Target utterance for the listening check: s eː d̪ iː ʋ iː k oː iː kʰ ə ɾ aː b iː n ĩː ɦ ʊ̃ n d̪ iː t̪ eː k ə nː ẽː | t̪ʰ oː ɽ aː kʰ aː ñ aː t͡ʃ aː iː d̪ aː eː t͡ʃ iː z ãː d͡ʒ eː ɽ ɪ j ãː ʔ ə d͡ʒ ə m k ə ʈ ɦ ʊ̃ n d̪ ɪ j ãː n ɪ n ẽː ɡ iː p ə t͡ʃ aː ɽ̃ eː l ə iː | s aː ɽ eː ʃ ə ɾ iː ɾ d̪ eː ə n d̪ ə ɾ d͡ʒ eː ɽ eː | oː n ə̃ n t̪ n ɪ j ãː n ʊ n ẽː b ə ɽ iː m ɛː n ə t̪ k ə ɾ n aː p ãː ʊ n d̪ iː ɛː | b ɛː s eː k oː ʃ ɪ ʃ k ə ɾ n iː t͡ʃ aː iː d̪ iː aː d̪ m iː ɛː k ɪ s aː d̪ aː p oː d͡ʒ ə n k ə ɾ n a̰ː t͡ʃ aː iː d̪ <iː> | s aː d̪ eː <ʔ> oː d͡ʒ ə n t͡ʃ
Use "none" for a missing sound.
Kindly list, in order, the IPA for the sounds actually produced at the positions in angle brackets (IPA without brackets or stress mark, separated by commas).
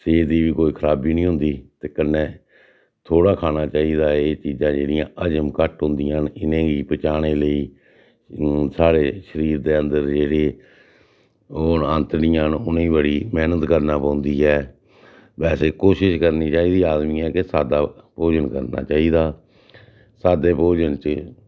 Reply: aː, p